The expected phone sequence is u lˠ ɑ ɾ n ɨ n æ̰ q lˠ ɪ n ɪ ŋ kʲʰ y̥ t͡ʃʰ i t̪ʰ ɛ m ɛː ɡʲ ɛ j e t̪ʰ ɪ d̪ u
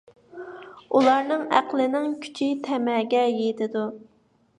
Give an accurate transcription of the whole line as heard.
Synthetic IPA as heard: u lˠ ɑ ɾ n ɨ ŋ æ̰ q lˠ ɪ n ɪ ŋ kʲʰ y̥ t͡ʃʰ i t̪ʰ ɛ m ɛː ɡʲ ɛ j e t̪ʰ ɪ d̪ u

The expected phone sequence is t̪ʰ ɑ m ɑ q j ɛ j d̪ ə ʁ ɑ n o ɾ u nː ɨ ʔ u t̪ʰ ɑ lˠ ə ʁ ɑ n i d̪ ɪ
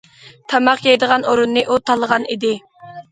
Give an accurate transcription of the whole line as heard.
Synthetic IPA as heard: t̪ʰ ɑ m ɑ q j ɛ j d̪ ə ʁ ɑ n o ɾ u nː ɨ ʔ u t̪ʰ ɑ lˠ ə ʁ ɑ n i d̪ ɪ

